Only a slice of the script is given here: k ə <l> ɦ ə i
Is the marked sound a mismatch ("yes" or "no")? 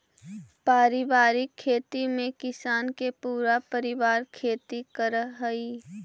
yes